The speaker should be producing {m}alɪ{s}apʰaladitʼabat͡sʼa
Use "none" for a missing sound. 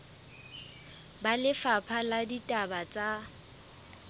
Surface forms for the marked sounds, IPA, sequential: b, f

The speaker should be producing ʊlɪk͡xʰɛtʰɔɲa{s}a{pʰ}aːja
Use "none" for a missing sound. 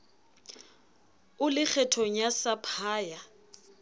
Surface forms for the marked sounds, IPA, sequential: s, pʰ

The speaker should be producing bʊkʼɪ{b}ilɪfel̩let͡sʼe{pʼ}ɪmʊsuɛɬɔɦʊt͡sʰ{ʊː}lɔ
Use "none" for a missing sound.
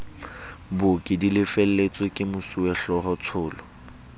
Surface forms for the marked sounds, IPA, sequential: d, kʼ, ʊː

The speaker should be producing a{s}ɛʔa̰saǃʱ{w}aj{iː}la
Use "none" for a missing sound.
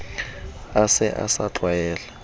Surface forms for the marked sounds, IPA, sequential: s, w, ɛː

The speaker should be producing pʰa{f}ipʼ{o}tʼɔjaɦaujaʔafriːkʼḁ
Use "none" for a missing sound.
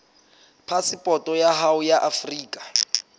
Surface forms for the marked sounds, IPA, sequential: s, ɔ

